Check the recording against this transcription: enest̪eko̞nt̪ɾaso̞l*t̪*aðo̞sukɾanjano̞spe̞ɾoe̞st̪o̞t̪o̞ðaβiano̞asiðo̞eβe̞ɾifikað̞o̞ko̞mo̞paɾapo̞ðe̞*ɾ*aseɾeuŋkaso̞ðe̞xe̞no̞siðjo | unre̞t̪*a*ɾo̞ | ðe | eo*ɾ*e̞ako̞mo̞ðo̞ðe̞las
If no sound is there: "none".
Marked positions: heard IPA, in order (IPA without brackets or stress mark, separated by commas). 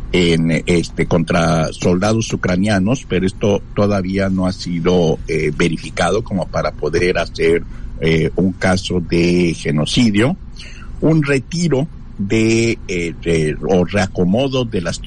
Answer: d̪, ɾ, i, r